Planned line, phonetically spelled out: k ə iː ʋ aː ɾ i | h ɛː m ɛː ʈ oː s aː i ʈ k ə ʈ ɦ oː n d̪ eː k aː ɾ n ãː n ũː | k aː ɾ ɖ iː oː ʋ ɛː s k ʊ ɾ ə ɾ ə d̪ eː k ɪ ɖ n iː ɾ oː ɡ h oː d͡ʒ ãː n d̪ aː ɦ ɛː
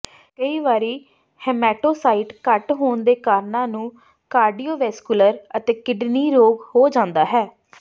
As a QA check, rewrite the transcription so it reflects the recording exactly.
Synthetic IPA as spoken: k ə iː ʋ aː ɾ iː | h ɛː m ɛː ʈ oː s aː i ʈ k ə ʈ ɦ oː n d̪ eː k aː ɾ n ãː n ũː | k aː ɾ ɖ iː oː ʋ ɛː s k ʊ l ə ɾ ə t̪ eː k ɪ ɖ n iː ɾ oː ɡ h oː d͡ʒ ãː n d̪ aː ɦ ɛː